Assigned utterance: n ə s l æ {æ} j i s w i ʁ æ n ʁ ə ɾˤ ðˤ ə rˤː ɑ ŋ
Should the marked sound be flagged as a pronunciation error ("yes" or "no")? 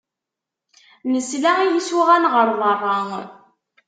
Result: yes